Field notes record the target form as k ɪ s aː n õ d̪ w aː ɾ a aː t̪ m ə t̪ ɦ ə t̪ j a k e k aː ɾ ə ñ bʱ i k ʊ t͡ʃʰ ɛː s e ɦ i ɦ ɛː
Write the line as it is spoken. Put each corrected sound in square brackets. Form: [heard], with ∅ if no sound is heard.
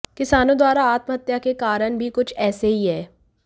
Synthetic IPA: k ɪ s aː n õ d̪ w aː ɾ a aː t̪ m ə [∅] ɦ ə t̪ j a k e k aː ɾ ə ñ bʱ i k ʊ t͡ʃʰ ɛː s e ɦ i ɦ ɛː